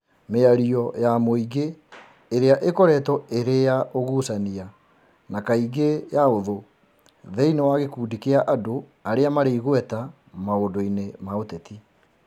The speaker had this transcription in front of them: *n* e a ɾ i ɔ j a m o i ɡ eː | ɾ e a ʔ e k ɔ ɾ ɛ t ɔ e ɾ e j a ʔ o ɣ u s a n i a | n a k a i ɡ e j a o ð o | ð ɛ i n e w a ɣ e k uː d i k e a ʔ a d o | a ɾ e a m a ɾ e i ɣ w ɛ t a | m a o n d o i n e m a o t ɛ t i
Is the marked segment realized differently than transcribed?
yes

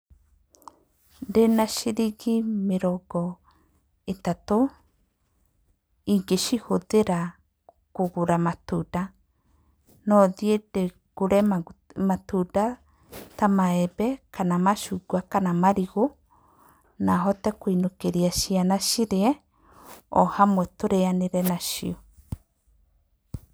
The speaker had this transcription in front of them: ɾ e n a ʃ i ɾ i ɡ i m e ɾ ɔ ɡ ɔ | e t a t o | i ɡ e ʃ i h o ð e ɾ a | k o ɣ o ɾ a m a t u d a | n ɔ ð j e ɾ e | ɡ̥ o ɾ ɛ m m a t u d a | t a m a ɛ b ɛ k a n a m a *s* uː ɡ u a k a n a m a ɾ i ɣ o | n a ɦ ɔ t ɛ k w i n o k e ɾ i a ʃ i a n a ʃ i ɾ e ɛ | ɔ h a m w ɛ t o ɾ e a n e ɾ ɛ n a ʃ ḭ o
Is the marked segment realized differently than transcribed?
yes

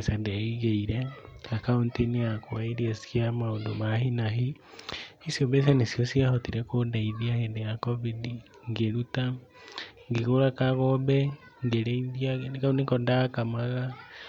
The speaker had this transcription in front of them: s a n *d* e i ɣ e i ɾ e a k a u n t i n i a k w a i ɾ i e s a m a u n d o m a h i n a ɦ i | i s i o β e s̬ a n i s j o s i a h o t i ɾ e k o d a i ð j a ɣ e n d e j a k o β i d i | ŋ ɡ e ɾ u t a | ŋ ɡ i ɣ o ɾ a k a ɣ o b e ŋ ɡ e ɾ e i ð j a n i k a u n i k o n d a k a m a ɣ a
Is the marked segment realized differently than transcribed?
no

